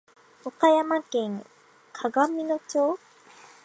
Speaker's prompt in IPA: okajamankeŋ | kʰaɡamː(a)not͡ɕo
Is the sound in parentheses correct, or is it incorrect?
incorrect